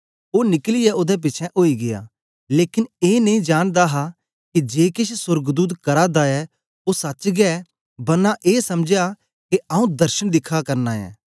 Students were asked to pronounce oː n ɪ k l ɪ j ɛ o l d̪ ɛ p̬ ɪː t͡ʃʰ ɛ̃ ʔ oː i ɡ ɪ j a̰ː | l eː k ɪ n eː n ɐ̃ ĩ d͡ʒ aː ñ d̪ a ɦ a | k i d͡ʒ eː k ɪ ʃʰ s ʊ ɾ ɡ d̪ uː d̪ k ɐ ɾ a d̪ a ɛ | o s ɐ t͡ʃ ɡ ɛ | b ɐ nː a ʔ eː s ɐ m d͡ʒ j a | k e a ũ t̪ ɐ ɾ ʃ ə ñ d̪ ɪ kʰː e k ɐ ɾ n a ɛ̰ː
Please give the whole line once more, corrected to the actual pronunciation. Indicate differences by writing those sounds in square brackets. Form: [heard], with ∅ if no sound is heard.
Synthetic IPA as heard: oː n ɪ k l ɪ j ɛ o [∅] d̪ ɛ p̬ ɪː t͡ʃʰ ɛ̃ ʔ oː i ɡ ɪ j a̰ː | l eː k ɪ n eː n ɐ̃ ĩ d͡ʒ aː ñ d̪ a ɦ a | k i d͡ʒ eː k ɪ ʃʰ s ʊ ɾ ɡ d̪ uː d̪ k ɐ ɾ a d̪ a ɛ | o s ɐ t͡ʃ ɡ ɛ | b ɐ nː a ʔ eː s ɐ m d͡ʒ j a | k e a ũ [d̪] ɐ ɾ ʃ ə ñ d̪ ɪ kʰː [a] k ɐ ɾ n a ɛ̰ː